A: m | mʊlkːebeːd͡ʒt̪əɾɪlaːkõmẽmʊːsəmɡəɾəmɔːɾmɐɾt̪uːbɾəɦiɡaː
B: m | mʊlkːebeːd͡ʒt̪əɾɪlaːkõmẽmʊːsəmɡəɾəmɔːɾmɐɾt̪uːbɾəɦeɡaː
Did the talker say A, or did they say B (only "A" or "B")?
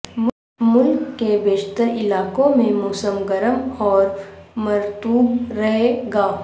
B